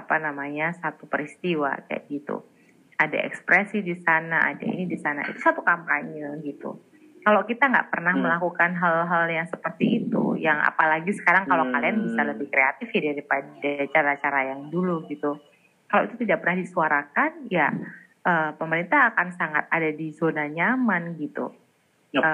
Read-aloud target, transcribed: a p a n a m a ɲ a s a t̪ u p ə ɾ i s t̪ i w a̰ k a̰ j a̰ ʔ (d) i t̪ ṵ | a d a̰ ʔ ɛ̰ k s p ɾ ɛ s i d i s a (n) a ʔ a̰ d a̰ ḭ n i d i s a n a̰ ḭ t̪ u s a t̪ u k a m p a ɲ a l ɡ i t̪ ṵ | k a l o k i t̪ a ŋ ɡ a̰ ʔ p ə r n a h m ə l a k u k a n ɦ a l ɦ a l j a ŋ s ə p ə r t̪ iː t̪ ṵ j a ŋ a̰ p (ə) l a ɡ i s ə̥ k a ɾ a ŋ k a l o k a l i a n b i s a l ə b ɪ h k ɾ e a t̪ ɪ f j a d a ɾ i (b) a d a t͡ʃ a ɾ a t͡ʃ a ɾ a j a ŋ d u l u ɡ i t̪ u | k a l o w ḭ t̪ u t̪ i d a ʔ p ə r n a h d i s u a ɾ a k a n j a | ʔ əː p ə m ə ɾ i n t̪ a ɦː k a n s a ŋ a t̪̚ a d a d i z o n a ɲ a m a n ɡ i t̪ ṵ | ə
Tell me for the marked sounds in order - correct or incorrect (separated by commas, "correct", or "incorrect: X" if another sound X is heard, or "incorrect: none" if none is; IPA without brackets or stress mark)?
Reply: incorrect: ɡ, correct, incorrect: a, incorrect: p